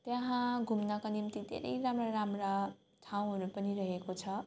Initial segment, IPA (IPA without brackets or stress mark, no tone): t̪